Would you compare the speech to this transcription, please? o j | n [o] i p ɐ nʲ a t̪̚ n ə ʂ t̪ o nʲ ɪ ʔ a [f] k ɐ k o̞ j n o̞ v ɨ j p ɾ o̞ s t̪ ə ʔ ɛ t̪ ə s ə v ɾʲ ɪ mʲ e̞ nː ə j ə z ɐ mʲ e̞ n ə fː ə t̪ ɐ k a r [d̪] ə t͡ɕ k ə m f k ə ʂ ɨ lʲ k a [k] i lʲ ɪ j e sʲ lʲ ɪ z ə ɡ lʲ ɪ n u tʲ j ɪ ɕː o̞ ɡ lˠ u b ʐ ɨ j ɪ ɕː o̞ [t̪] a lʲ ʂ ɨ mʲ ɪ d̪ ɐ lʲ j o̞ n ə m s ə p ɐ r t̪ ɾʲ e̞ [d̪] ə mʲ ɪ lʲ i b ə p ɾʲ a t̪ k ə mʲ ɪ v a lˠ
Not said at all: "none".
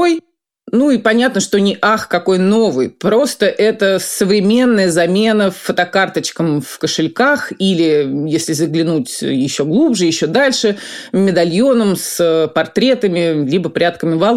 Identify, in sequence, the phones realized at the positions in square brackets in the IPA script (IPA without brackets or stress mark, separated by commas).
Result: u, x, t̪, x, d̪, t̪